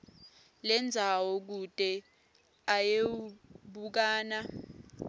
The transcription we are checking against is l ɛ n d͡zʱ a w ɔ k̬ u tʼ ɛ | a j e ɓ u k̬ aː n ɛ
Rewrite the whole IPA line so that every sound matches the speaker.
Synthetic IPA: l ɛ n d͡zʱ a w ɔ k̬ u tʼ ɛ | a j e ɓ u k̬ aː n a